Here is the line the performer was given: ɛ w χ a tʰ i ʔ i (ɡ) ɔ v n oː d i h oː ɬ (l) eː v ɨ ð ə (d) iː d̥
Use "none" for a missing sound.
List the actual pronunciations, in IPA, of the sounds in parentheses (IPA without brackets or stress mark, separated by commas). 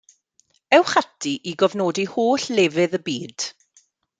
ɡ, l, b